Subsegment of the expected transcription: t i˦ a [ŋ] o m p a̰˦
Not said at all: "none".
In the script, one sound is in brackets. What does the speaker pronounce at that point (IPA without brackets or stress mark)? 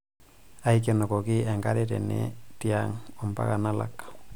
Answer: ŋ